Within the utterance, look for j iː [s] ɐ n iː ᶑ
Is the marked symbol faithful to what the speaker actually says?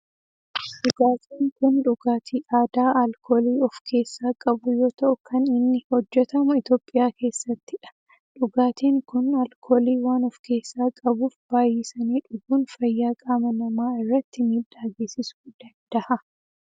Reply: yes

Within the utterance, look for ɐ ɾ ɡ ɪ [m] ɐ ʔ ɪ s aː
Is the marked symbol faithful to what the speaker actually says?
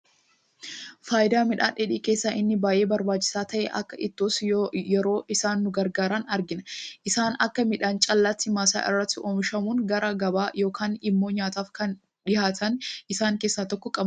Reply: no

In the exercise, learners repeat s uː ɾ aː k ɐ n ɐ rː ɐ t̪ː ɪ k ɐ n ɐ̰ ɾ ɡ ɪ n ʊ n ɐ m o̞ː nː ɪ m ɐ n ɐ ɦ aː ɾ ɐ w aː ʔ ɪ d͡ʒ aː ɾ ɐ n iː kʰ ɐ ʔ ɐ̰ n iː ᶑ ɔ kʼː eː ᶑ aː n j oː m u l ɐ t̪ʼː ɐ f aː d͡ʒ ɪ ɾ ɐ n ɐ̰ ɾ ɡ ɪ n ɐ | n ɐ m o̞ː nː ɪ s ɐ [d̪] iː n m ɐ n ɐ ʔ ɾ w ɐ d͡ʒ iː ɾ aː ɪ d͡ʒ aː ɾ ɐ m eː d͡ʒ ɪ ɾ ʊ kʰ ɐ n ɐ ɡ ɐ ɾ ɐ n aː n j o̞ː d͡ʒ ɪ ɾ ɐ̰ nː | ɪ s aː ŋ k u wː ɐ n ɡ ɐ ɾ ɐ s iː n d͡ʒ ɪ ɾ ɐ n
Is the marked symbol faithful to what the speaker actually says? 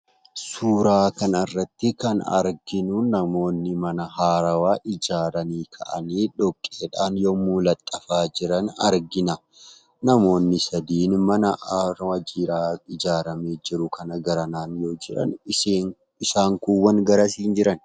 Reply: yes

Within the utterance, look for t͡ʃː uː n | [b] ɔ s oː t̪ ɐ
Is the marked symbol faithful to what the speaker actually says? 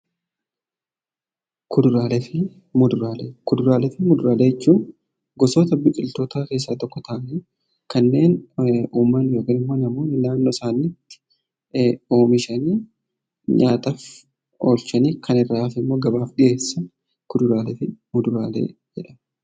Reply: no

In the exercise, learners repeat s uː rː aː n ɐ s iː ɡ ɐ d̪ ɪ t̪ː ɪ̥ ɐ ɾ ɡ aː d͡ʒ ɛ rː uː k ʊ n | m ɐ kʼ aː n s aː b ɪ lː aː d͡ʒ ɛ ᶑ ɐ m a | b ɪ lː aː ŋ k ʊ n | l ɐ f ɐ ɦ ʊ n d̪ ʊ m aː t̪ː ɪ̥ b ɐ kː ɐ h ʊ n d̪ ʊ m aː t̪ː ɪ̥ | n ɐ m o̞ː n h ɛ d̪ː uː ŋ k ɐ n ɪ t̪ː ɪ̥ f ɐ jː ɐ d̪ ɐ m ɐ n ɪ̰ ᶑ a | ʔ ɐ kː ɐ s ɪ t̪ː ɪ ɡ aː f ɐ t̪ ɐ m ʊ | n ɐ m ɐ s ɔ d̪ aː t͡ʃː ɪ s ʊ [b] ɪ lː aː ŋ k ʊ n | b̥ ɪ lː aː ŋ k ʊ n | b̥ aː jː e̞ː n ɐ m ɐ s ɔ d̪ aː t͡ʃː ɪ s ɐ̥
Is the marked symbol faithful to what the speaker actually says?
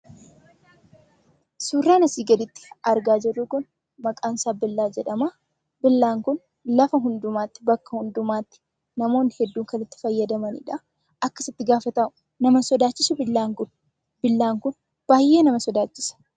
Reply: yes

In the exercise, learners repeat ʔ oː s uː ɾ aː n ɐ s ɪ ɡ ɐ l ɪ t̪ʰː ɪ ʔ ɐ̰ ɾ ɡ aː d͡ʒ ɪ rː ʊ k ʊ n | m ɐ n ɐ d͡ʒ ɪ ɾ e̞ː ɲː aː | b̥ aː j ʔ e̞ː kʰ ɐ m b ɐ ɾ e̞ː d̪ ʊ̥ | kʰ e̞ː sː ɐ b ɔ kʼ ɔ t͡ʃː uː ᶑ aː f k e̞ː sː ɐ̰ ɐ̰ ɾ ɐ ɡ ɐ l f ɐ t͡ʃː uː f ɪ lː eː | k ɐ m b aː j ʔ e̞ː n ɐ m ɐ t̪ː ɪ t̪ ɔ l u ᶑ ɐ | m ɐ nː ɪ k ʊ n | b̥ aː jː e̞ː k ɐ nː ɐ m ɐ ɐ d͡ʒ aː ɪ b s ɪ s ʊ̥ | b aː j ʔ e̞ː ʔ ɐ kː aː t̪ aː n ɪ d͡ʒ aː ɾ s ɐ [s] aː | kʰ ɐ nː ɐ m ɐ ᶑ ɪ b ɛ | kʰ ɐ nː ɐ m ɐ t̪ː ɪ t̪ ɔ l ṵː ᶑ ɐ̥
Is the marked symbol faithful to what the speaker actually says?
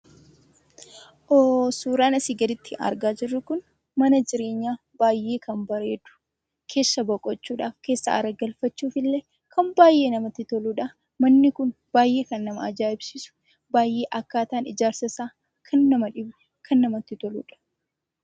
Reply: yes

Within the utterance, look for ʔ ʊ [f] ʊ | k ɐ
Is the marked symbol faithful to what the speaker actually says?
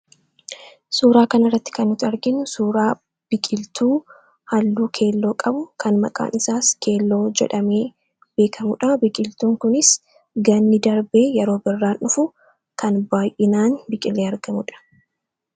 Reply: yes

